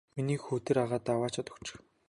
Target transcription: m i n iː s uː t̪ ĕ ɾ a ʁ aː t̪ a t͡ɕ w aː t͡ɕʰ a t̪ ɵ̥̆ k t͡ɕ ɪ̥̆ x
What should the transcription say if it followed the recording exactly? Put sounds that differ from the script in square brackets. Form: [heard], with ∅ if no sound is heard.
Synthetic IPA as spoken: m i n iː [x] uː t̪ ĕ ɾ a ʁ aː t̪ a [∅] w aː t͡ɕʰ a t̪ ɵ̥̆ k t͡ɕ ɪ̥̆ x